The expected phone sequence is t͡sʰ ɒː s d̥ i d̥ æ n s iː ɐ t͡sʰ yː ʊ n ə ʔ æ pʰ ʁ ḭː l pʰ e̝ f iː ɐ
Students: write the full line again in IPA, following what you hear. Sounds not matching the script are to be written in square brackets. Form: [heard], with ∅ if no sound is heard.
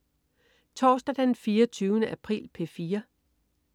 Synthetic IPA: t͡sʰ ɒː s d̥ [æ] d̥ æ n [f] iː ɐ t͡sʰ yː ʊ n ə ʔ æ pʰ ʁ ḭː l pʰ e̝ f iː ɐ

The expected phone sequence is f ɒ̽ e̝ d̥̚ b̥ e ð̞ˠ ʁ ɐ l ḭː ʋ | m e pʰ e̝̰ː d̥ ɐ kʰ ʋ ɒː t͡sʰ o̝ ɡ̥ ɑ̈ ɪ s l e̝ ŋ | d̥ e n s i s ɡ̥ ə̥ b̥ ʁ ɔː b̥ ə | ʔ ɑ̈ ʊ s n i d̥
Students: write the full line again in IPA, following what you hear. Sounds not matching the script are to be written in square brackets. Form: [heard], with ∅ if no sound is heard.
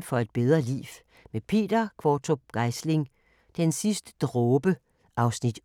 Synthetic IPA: f ɒ̽ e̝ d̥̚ b̥ e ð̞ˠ ʁ ɐ l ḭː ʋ | m e pʰ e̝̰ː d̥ ɐ kʰ ʋ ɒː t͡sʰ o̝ ɡ̥ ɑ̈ ɪ s l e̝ ŋ | d̥ e n s i s [d̥] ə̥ [d̥] ʁ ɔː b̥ ə | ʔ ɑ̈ ʊ s n i d̥

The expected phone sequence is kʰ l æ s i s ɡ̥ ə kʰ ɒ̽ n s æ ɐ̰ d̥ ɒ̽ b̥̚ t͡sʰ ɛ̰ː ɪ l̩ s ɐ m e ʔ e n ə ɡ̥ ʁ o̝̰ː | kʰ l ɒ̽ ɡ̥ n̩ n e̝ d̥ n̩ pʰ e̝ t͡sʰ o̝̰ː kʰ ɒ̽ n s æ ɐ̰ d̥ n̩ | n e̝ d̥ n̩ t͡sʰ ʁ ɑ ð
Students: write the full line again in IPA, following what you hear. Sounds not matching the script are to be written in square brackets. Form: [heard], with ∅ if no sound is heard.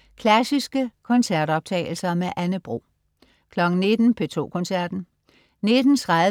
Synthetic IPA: kʰ l æ s i s ɡ̥ ə kʰ ɒ̽ n s æ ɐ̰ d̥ ɒ̽ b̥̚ t͡sʰ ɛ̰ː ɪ l̩ s ɐ m e ʔ [æ] n ə [b̥] ʁ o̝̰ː | kʰ l ɒ̽ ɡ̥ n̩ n e̝ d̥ n̩ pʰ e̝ t͡sʰ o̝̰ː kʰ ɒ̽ n s æ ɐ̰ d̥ n̩ | n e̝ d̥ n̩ t͡sʰ ʁ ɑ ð

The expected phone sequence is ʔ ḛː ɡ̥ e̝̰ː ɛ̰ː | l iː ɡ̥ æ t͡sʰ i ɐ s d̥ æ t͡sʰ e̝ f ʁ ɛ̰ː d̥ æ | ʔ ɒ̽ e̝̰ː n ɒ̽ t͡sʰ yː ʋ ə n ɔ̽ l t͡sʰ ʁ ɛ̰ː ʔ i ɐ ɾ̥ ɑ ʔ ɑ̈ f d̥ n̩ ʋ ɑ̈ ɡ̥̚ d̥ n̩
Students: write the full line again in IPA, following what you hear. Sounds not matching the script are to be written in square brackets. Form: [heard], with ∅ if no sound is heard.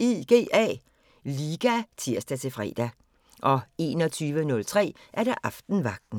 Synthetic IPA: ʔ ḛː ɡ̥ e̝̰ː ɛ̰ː | l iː ɡ̥ æ t͡sʰ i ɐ s d̥ æ t͡sʰ e̝ f ʁ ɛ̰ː d̥ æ | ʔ ɒ̽ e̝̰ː n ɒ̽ t͡sʰ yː ʋ ə n ɔ̽ l t͡sʰ ʁ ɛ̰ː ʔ [æ] ɐ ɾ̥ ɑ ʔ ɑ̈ f d̥ n̩ ʋ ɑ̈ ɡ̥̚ d̥ n̩

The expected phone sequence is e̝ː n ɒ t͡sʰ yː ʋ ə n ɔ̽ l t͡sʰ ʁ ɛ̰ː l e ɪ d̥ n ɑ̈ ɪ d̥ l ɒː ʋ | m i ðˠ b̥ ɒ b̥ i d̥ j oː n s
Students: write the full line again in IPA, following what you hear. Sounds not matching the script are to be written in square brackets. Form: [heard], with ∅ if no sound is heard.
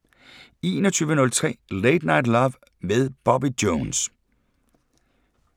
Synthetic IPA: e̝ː n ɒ t͡sʰ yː ʋ ə n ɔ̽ l t͡sʰ ʁ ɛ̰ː l e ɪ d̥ n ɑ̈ ɪ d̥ l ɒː ʋ | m [e] ðˠ b̥ ɒ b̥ i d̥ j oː n s

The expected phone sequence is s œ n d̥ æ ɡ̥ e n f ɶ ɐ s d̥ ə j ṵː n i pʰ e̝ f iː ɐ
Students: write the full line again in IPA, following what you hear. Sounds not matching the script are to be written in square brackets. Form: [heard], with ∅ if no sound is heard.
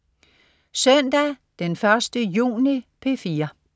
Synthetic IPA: s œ n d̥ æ [d̥] e n f ɶ ɐ s d̥ ə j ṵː n i pʰ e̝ f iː ɐ

